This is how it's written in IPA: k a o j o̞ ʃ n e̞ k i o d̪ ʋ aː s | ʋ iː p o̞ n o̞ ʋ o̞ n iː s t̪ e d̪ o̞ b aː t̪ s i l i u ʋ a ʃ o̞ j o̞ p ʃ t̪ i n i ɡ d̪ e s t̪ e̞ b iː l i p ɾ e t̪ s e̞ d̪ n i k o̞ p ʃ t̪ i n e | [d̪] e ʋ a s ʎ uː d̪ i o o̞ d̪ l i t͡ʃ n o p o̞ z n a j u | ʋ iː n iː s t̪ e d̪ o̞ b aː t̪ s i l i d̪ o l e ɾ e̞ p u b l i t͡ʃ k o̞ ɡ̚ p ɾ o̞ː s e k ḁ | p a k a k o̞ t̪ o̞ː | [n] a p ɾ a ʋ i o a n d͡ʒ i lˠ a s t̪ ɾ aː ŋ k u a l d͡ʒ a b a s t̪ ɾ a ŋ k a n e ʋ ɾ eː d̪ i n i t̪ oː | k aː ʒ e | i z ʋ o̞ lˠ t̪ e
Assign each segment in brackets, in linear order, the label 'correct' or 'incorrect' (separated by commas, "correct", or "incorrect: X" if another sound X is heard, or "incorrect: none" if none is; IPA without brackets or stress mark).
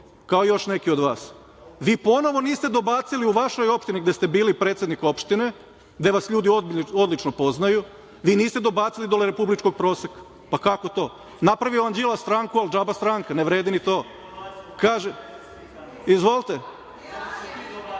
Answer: correct, correct